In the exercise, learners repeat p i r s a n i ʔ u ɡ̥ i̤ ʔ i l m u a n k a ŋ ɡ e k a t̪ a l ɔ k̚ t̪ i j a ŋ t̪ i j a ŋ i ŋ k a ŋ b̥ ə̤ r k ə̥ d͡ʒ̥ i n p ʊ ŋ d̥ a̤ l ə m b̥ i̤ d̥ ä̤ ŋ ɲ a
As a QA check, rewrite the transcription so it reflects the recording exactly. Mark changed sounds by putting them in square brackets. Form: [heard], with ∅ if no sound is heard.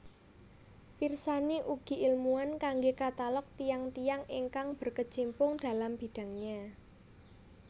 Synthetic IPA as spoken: p i r s a n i ʔ u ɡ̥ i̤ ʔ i l m u a n k a ŋ ɡ e k a t̪ a l ɔ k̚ t̪ i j a ŋ t̪ i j a ŋ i ŋ k a ŋ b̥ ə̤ r k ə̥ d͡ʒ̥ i [m] p ʊ ŋ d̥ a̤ l [a] m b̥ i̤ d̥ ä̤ ŋ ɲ a